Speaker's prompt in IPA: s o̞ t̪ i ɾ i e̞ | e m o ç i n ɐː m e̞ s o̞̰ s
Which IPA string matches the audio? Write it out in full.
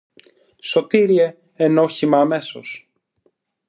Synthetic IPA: s o̞ t̪ i ɾ i e̞ | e n o ç i m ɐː m e̞ s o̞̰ s

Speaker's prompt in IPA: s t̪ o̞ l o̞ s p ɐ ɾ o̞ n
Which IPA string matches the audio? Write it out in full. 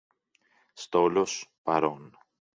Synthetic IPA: s t̪ o̞ l o̞ s p ɐ ɾ o̞ n

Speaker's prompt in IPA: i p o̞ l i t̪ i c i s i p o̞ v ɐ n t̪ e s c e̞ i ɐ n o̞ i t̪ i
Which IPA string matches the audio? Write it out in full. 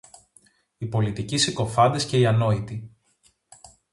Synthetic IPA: i p o̞ l i t̪ i c i s i k o̞ f ɐ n d̪ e s c e̞ i ɐ n o̞ i t̪ i

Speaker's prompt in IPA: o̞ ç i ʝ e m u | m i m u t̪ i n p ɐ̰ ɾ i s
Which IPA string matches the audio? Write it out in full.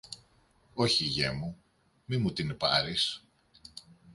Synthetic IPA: o̞ ç i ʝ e m u | m i m u t̪ i n p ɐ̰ ɾ i s

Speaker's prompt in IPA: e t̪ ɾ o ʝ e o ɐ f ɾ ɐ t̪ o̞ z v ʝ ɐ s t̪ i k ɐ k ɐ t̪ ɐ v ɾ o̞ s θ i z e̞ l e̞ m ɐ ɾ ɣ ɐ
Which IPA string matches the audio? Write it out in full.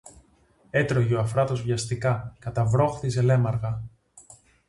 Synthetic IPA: e t̪ ɾ o ʝ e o ɐ f ɾ ɐ t̪ o̞ z v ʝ ɐ s t̪ i k ɐ k ɐ t̪ ɐ v ɾ o̞ x θ i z e̞ l e̞ m ɐ ɾ ɣ ɐ

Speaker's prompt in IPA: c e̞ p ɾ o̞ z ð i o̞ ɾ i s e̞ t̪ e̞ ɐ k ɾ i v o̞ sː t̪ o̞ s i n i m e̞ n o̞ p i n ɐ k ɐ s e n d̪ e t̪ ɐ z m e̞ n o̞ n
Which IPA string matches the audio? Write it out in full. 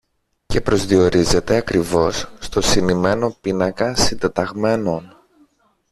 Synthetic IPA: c e̞ p ɾ o̞ z ð i o̞ ɾ i z e̞ t̪ e̞ ɐ k ɾ i v o̞ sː t̪ o̞ s i n i m e̞ n o̞ p i n ɐ k ɐ s i n d̪ e t̪ ɐ ɣ m e̞ n o̞ n

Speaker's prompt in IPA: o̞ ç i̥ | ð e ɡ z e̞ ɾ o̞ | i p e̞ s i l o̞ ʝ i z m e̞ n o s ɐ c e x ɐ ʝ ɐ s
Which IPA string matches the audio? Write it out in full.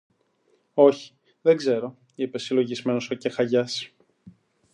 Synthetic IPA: o̞ ç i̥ | ð e ɡ z e̞ ɾ o̞ | i p e̞ s i l o̞ ʝ i z m e̞ n o s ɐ c e x ɐ ʝ ɐ s

